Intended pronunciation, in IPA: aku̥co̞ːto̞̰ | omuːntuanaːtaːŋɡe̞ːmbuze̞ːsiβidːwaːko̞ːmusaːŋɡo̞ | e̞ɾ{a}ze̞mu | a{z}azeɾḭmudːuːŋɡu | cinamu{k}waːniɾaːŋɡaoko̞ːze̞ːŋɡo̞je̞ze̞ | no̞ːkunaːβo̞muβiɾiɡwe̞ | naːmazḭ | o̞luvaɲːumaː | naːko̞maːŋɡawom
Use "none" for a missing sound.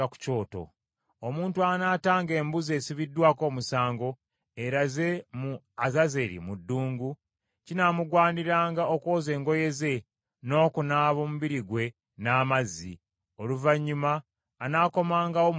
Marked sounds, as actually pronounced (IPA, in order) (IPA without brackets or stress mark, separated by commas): a, z, ɡ